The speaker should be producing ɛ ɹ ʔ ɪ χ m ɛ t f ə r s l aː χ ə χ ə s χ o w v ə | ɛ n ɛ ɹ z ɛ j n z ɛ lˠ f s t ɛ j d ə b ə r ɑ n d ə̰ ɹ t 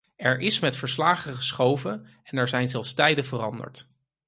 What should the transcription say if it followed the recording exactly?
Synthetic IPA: ɛ ɹ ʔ ɪ s m ɛ t f ə ɹ s l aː χ ə χ ə s χ o w v ə | ɛ n ɛ ɹ z ɛ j n z ɛ lˠ f s t ɛ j d ə v ə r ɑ n d ə̰ ɹ t

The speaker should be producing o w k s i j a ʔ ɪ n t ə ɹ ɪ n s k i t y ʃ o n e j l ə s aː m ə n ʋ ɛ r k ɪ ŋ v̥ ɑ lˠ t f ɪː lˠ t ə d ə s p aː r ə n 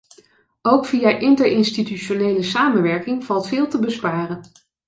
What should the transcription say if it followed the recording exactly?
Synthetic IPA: o w k f i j a ʔ ɪ n t ə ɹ ɪ n s t i t y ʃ o n e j l ə s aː m ə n ʋ ɛ ɹ k ɪ ŋ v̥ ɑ lˠ t f ɪː lˠ t ə b ə s p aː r ə n

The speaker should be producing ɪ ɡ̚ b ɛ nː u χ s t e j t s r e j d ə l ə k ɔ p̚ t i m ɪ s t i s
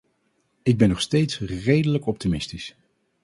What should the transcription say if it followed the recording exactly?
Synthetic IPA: ɪ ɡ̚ b ɛ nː ɔ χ s t e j t s r e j d ə l ə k ɔ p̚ t i m ɪ s t i s

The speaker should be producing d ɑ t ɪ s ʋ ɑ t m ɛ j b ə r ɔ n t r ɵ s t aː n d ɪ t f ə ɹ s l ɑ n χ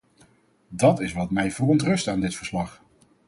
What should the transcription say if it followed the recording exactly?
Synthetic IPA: d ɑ t ɪ s ʋ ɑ t m ɛ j v ə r ɔ n t r ɵ s t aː n d ɪ t f ə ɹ s l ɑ χ

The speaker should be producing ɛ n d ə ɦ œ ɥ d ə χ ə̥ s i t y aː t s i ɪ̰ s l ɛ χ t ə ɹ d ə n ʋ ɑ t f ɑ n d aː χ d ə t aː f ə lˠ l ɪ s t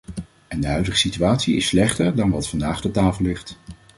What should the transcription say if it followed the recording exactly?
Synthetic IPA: ɛ n d ə ɦ œ ɥ d ə χ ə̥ s i t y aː t s i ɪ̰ s l ɛ χ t ə ɹ d ɑ n ʋ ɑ t f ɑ n d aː χ d ə t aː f ə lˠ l ɪ χ t

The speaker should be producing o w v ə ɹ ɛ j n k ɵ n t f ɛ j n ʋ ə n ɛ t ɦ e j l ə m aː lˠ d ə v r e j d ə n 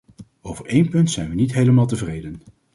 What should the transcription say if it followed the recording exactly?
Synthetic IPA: o w v ə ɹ e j n p ɵ n t s ɛ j n ʋ ə n i t ɦ e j l ə m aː lˠ t ə v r e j d ə n

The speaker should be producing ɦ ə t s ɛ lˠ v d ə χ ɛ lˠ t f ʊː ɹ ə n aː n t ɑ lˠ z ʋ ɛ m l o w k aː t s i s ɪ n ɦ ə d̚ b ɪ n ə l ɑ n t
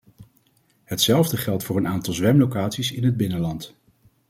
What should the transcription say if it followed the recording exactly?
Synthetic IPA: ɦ ə t s ɛ lˠ v d ə χ ɛ lˠ t f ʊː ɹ ə n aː n t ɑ lˠ z ʋ ɛ m l o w k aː t s i s ɪ n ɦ ə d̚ b ɪ n ə l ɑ n t

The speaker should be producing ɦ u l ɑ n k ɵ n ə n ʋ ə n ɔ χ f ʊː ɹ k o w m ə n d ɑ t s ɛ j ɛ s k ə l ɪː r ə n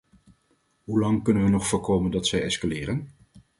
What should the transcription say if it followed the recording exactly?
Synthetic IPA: ɦ u l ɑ ŋ k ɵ n ə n ʋ ə n ɔ χ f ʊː ɹ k o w m ə n d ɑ t s ɛ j ɛ s k a l ɪː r ə n

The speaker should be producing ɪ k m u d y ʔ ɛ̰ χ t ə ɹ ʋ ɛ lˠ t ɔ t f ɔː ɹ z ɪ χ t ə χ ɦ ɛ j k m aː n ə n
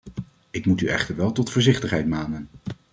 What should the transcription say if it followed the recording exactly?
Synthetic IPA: ɪ k m u t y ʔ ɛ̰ χ t ə ɹ ʋ ɛ lˠ t ɔ t f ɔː ɹ z ɪ χ t ə χ ɦ ɛ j t m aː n ə n

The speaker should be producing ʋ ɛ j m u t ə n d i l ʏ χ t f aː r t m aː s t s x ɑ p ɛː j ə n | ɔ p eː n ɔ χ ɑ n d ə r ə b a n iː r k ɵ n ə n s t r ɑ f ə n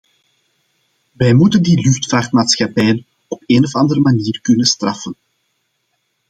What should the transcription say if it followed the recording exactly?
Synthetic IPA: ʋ ɛ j m u t ə n d i l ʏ x t f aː r t m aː t s x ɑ p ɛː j ə n | ɔ p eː n ɔ f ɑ n d ə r ə m a n iː r k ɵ n ə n s t r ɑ f ə n

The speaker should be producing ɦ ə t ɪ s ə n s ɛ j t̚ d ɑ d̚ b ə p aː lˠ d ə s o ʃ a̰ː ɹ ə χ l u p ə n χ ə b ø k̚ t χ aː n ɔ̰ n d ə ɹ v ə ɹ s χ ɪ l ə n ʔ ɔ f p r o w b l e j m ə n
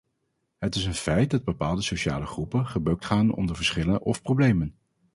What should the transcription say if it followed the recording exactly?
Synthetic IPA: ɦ ə t ɪ s ə n f ɛ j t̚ d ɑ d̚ b ə p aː lˠ d ə s o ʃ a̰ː l ə χ r u p ə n χ ə b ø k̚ t χ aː n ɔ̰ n d ə ɹ v ə ɹ s χ ɪ l ə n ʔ ɔ f p r o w b l e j m ə n

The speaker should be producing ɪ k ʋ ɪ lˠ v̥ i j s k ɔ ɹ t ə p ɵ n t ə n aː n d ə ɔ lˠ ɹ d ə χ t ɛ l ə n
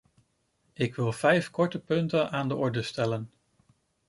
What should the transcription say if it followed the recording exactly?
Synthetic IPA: ɪ k ʋ ɪ lˠ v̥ ɛ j f k ɔ ɹ t ə p ɵ n t ə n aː n d ə ɔ ɹ d ə s t ɛ l ə n

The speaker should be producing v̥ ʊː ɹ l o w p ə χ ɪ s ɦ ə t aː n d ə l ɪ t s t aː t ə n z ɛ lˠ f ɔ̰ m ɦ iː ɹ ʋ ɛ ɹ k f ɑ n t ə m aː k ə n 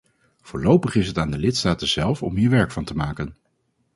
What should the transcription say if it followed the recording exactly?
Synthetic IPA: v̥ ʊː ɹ l o w p ə χ ɪ s ɦ ə t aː n d ə l ɪ t s t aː t ə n z ɛ lˠ f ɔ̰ m ɦ iː ɹ ʋ ɛ ɹ k f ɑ n t ə m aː k ə n

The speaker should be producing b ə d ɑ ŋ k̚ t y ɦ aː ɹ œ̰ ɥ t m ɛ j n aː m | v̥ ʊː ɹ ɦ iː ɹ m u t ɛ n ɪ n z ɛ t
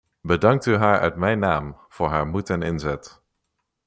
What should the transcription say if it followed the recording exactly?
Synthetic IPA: b ə d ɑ ŋ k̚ t y ɦ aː ɹ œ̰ ɥ t m ɛ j n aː m | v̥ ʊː ɹ ɦ aː ɹ m u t ɛ n ɪ n z ɛ t

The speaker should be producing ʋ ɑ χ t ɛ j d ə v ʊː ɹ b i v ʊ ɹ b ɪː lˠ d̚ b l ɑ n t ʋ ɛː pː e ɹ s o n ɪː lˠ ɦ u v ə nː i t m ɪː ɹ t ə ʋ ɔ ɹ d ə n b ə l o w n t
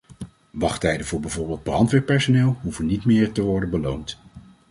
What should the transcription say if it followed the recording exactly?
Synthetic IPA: ʋ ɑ χ t ɛ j d ə v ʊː ɹ b ɛ v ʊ ɹ b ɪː lˠ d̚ b r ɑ n t ʋ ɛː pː ɛ ɹ s o n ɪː lˠ ɦ u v ə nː i t m ɪː ɹ t ə ʋ ɔ ɹ d ə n b ə l o w n t

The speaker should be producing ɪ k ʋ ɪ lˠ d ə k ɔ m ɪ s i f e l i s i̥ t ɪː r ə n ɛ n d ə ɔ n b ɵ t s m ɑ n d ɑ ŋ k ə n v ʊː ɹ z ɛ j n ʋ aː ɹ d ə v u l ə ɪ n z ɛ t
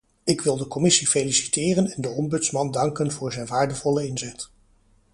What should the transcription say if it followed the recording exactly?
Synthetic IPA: ɪ k ʋ ɪ lˠ d ə k ɔ m ɪ s i f e l i s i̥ t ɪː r ə n ɛ n d ə ɔ m b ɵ t s m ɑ n d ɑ ŋ k ə n v ʊː ɹ z ɛ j n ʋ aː ɹ d ə v ɔ l ə ɪ n z ɛ t

